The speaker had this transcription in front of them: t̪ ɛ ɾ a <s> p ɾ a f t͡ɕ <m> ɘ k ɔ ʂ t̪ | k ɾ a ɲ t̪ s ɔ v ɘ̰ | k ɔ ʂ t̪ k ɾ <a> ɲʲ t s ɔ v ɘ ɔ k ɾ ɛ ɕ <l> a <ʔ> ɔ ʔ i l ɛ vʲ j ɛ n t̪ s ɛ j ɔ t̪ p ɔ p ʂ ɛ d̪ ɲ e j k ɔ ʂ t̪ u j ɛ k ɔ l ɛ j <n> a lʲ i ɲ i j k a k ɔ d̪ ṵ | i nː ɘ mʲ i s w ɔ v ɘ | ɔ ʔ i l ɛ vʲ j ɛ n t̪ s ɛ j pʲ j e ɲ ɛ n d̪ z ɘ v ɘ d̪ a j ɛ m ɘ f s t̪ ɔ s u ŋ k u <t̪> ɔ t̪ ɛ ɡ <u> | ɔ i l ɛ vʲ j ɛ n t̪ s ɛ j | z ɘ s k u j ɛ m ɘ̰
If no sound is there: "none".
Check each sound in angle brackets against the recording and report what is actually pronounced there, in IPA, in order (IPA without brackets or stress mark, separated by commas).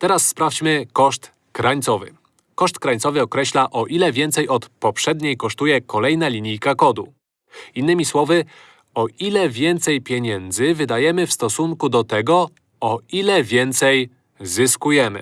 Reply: sː, m, a, l, ʔ, n, d̪, ɔ